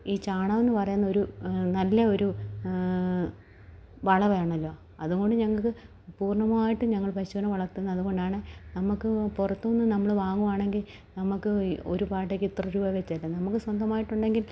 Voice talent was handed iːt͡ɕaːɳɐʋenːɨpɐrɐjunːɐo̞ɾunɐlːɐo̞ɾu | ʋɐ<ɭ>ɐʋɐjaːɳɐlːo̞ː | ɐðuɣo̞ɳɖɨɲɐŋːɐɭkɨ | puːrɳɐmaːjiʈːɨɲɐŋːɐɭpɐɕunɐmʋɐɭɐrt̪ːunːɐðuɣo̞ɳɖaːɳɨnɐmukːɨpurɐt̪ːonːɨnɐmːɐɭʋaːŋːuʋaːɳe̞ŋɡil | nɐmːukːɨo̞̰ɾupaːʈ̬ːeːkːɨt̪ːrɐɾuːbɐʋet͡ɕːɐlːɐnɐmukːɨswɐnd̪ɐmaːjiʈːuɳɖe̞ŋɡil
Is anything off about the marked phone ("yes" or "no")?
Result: no